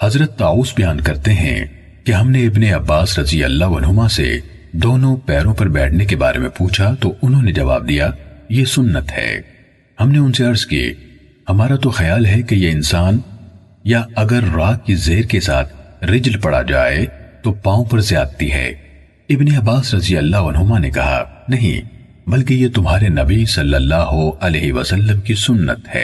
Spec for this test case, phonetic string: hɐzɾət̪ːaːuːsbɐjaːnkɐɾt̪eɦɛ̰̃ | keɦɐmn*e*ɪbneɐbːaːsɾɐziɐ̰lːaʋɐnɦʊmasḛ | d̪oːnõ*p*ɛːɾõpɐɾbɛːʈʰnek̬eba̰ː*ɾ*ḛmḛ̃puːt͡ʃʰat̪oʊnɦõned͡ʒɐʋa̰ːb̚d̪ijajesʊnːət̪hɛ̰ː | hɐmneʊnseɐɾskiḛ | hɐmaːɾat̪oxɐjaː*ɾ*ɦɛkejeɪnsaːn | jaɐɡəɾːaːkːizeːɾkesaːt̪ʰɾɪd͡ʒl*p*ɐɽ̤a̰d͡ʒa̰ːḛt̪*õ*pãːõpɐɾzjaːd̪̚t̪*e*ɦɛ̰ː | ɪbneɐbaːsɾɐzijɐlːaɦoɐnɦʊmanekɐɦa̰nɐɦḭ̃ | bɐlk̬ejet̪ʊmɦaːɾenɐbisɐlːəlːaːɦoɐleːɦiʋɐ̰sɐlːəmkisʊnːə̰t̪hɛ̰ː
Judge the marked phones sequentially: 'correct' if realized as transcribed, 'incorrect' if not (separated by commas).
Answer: correct, correct, correct, incorrect, correct, incorrect, incorrect